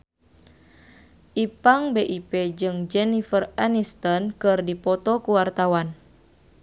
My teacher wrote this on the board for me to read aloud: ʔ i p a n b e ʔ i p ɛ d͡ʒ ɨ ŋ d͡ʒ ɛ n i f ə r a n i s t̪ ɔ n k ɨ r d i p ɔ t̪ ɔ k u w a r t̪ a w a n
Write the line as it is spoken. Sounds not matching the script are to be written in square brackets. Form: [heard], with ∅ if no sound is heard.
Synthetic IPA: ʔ i p a [ŋ] b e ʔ i p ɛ d͡ʒ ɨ ŋ d͡ʒ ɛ n i f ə r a n i s t̪ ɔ n k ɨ r d i p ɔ t̪ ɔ k u w a r t̪ a w a n